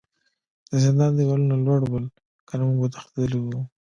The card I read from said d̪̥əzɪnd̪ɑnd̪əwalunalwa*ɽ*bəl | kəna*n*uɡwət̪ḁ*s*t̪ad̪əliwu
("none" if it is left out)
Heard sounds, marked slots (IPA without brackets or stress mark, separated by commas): ɽ, m, x